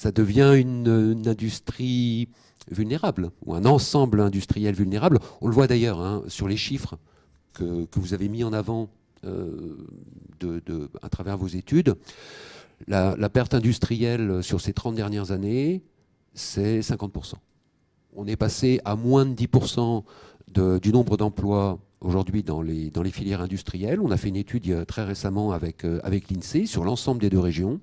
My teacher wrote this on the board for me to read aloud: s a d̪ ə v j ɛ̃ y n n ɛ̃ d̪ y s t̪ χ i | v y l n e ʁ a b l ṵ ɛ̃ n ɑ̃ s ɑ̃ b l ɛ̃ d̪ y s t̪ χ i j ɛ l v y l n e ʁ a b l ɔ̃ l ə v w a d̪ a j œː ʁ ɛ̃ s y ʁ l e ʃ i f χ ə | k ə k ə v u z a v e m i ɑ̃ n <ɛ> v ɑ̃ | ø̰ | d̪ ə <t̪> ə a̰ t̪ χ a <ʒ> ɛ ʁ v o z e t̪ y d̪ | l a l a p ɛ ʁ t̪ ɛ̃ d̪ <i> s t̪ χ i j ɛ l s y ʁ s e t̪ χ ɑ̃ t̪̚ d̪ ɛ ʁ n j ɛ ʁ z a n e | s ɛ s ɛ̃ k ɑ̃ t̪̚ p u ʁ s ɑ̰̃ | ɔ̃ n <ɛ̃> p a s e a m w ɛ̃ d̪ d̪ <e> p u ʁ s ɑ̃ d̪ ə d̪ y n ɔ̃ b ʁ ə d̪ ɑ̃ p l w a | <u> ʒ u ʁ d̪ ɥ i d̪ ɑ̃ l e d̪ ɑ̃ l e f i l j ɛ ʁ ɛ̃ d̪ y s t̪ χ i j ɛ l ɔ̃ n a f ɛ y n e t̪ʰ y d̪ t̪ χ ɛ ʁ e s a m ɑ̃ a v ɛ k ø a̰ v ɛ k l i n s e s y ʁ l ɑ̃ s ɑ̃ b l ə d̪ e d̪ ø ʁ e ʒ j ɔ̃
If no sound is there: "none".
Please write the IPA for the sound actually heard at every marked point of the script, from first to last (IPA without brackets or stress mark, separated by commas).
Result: a, d̪, v, y, ɛ, i, o